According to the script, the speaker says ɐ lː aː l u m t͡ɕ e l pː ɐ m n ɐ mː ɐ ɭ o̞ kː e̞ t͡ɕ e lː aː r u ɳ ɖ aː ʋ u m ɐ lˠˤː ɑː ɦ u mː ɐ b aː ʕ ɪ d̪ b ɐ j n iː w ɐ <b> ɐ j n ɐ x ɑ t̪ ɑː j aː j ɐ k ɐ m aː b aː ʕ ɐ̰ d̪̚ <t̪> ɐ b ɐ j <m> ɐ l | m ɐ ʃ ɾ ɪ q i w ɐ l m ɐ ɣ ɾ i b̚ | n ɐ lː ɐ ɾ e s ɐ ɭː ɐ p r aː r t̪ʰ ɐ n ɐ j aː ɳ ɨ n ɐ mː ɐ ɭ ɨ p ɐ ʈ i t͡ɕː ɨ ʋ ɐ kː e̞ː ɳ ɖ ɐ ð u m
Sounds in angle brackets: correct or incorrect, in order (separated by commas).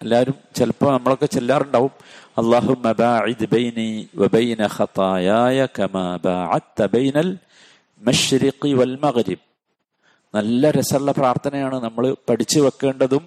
correct, correct, incorrect